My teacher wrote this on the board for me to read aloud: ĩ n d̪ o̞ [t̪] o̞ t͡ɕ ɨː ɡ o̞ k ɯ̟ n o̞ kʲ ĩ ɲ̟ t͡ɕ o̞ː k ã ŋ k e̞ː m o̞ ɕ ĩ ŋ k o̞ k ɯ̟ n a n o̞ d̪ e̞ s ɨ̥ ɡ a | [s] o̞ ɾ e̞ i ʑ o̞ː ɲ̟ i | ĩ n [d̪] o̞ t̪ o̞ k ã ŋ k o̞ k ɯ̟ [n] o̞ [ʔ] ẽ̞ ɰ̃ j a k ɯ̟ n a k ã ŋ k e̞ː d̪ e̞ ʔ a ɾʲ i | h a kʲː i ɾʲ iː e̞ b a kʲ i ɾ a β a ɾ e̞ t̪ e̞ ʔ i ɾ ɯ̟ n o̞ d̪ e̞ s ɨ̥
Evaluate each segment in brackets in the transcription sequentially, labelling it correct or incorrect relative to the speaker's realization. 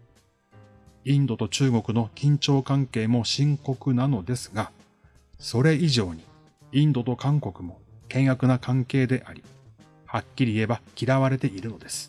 correct, correct, correct, incorrect: m, incorrect: k

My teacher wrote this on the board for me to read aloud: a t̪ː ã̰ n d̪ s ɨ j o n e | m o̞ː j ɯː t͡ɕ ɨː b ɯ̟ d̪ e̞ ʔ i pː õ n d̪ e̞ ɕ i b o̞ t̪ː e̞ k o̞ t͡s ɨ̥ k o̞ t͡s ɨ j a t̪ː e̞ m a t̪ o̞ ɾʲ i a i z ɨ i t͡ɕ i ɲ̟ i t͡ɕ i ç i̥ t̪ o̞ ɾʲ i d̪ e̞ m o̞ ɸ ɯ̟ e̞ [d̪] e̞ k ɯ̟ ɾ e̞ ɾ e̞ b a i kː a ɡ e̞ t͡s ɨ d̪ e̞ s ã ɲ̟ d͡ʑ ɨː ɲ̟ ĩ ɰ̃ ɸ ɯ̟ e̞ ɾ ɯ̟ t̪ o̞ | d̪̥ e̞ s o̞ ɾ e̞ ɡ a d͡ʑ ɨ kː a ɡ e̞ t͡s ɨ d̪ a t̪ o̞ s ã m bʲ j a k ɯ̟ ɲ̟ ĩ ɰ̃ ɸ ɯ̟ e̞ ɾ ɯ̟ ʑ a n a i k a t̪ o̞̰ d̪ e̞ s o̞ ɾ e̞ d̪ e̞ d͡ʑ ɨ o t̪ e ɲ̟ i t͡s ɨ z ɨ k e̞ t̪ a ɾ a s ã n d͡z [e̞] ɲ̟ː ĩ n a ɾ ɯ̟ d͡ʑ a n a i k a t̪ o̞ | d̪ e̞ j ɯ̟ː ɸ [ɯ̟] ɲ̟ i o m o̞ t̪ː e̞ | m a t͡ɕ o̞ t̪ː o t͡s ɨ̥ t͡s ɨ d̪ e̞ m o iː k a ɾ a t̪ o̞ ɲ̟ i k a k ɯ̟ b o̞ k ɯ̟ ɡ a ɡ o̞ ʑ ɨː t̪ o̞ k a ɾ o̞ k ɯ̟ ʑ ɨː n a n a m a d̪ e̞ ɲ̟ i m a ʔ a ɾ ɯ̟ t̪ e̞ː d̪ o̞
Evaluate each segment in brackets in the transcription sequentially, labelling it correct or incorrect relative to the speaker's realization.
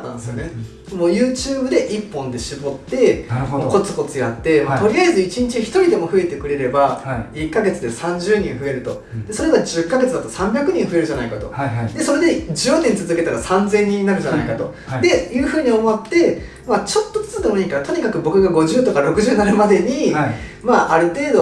incorrect: t̪, incorrect: ẽ̞, incorrect: ɯ̟ː

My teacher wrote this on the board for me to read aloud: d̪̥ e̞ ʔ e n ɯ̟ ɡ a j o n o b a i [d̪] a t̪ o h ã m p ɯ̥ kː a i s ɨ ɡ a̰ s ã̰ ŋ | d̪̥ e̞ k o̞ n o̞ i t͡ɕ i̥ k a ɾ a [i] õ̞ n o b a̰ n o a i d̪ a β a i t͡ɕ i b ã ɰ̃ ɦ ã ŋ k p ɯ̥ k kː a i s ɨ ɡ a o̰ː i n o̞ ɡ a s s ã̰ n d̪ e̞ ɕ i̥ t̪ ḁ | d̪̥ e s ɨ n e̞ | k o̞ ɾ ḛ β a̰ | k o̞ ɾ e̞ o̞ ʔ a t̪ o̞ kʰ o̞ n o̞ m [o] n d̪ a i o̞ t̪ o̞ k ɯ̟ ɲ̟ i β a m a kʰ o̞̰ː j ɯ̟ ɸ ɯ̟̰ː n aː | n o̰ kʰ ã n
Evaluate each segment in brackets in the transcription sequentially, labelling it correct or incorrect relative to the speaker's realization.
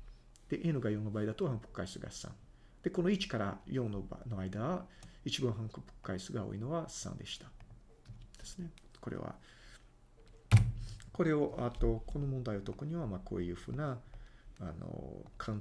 correct, incorrect: j, incorrect: õ

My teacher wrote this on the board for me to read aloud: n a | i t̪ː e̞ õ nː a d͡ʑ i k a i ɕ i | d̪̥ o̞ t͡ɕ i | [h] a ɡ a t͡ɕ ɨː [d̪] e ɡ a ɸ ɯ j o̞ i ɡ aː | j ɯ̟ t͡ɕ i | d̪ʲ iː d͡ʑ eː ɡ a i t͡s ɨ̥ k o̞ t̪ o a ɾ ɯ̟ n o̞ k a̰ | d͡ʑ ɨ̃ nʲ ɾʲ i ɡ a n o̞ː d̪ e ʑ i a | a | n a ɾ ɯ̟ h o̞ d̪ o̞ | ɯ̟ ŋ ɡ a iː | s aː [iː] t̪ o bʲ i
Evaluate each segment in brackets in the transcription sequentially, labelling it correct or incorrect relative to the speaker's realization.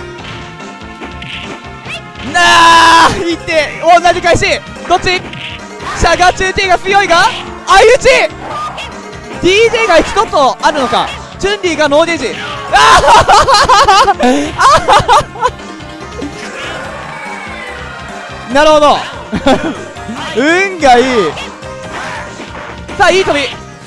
incorrect: ɕ, incorrect: t̪, correct

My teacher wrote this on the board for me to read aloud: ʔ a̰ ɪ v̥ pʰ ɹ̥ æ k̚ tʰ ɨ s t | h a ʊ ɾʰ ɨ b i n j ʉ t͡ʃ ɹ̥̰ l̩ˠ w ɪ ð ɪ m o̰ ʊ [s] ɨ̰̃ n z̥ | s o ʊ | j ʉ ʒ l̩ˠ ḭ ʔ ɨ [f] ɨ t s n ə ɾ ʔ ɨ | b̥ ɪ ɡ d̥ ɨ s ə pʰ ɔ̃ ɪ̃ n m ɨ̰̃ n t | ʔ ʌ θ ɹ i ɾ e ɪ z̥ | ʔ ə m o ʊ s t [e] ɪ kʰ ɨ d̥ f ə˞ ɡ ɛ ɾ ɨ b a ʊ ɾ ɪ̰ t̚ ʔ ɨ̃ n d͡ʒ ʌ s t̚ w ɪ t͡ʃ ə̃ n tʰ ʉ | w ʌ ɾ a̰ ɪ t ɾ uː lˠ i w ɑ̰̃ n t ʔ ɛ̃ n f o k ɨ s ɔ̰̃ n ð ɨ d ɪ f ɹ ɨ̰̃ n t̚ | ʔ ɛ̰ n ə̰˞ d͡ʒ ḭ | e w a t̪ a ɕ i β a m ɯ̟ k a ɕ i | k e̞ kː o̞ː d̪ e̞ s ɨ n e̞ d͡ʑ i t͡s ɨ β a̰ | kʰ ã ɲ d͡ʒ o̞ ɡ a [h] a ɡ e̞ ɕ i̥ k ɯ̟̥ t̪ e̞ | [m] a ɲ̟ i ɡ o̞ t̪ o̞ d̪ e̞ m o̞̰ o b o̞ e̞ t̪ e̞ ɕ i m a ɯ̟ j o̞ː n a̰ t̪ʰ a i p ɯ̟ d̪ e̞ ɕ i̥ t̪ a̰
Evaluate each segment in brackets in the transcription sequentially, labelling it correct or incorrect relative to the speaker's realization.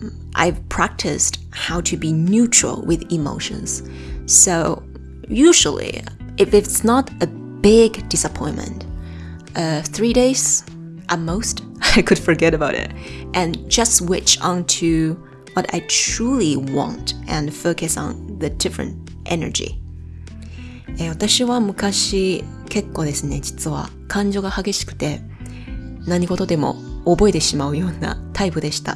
incorrect: ʃ, correct, incorrect: a, correct, incorrect: n

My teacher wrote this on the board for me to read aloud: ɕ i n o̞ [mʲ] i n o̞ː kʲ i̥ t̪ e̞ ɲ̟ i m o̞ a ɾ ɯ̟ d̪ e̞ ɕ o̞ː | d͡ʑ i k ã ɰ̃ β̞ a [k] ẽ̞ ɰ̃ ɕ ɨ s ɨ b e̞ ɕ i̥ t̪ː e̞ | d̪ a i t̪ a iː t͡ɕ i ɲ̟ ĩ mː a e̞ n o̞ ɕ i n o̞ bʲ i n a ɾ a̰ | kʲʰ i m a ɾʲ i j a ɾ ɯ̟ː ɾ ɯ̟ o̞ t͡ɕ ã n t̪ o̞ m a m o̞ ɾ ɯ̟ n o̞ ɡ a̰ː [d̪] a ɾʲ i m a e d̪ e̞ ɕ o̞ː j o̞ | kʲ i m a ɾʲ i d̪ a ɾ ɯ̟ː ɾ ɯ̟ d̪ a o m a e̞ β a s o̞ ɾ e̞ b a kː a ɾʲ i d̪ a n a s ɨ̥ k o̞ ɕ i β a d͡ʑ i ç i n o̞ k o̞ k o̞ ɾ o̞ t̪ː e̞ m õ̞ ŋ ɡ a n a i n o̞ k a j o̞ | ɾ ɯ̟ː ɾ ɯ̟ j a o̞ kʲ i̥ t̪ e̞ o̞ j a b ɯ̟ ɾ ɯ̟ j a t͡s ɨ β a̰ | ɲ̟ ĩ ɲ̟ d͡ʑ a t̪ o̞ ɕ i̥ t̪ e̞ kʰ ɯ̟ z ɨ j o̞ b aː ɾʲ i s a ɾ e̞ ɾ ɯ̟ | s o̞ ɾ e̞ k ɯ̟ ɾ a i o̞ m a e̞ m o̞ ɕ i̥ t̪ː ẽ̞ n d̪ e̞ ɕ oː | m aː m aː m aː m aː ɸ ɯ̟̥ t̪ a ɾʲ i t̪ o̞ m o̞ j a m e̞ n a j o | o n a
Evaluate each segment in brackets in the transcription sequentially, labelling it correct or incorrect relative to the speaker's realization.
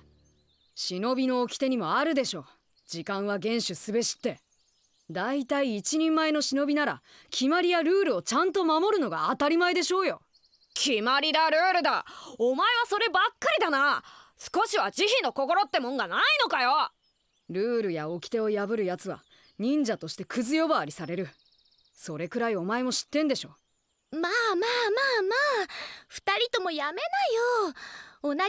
incorrect: bʲ, incorrect: ɡ, incorrect: t̪

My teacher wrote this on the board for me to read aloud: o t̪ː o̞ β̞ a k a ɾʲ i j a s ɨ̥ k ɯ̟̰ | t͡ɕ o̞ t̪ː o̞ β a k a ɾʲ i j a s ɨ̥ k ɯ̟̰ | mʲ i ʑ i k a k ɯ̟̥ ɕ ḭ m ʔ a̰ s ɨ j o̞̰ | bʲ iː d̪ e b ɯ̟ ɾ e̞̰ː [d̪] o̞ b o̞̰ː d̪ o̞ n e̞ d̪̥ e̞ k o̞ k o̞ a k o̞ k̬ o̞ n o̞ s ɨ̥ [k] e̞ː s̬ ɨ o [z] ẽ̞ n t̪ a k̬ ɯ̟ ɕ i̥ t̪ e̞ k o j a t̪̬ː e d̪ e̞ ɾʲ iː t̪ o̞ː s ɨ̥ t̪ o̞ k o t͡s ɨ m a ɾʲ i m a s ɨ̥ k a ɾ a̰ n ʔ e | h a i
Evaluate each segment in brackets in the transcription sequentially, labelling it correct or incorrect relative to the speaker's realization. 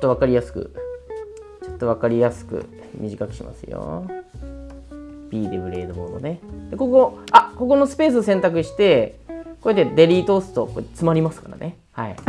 correct, incorrect: p, incorrect: s

